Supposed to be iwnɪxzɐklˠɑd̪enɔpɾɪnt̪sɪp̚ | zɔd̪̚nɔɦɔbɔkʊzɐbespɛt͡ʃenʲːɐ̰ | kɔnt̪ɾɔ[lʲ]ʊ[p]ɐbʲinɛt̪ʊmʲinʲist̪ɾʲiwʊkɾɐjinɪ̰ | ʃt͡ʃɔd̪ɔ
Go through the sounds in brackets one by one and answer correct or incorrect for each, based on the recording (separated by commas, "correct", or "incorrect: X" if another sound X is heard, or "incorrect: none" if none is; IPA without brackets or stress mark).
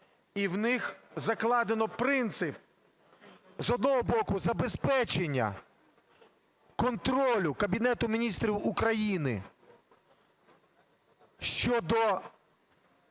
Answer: correct, incorrect: k